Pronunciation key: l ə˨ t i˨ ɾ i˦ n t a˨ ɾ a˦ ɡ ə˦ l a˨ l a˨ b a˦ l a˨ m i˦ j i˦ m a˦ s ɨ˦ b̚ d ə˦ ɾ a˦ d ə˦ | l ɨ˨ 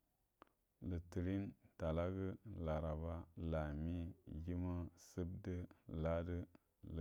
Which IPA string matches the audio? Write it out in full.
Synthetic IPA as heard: l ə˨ t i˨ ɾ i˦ n t a˨ l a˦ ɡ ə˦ l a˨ ɾ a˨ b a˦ l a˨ m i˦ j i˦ m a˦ s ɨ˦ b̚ d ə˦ l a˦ d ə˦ | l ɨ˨